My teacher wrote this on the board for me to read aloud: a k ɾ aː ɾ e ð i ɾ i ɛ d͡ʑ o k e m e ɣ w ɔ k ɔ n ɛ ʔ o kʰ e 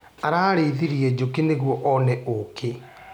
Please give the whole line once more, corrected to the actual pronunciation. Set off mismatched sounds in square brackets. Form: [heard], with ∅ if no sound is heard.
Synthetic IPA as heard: a [∅] ɾ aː ɾ e ð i ɾ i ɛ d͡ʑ o k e [n] e ɣ w ɔ [ʔ] ɔ n ɛ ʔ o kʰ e